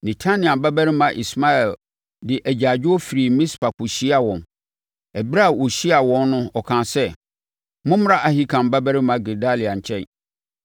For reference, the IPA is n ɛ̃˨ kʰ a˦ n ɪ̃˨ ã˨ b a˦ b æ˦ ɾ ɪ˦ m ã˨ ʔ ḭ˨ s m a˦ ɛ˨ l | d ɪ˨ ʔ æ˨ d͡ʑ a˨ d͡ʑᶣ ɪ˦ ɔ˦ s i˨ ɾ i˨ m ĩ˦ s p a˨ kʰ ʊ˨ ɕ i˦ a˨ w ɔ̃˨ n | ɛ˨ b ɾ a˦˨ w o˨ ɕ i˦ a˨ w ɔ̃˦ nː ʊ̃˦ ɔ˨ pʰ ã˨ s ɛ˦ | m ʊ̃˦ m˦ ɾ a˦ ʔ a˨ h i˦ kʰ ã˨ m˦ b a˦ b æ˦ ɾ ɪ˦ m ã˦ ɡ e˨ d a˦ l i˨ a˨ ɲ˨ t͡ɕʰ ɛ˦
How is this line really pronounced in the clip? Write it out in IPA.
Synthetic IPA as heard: n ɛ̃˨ tʰ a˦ n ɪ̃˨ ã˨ b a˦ b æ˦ ɾ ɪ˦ m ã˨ ʔ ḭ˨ s m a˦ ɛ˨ l | d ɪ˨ ʔ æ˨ d͡ʑ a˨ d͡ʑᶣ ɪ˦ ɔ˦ f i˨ ɾ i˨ m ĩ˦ s p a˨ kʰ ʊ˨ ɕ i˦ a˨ w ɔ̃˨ n | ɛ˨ b ɾ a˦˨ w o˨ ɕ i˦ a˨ w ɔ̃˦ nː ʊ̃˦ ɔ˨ kʰ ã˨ s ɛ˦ | m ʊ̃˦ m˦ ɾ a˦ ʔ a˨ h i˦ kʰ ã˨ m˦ b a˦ b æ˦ ɾ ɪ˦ m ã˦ ɡ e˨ d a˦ l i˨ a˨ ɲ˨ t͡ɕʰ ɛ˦